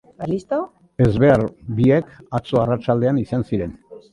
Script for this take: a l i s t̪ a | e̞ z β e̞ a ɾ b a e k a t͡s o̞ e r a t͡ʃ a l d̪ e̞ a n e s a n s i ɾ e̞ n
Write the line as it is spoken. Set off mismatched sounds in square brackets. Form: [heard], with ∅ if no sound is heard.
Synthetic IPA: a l i s t̪ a | e̞ z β e̞ a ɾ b [i] e k a t͡s o̞ [a] r a t͡ʃ a l d̪ e̞ a n [i] s a n s i ɾ e̞ n